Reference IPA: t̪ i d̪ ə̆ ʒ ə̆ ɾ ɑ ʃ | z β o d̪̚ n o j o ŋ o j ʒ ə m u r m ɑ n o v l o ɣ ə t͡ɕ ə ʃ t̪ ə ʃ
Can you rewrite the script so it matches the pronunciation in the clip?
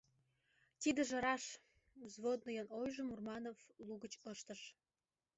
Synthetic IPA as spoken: t̪ i d̪ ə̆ ʒ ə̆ ɾ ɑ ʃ | z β o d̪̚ n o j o n o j ʒ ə m u r m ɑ n o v l u ɣ ə t͡ɕ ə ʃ t̪ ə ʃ